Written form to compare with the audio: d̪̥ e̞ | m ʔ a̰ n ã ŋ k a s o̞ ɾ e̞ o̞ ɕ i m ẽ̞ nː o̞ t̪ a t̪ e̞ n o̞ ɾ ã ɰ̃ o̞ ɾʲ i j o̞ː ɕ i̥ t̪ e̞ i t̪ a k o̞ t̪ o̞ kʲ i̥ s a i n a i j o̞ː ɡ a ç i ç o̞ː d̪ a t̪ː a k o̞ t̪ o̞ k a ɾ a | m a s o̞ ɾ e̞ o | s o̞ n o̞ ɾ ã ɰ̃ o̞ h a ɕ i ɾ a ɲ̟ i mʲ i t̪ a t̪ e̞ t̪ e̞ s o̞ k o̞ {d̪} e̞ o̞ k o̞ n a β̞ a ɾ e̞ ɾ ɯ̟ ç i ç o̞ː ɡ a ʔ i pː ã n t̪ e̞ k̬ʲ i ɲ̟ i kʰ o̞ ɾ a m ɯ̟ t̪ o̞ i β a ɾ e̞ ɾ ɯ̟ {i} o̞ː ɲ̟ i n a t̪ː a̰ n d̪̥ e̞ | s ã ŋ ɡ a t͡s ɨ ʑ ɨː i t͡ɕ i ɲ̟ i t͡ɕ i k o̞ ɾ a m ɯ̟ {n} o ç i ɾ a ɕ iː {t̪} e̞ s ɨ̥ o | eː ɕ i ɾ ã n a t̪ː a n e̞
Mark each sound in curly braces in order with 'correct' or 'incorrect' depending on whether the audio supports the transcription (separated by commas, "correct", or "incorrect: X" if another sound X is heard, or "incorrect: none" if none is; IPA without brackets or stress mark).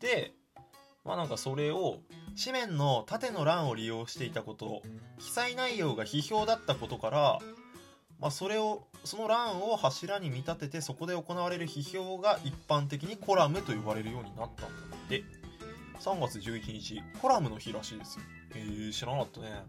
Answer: correct, incorrect: j, correct, incorrect: d̪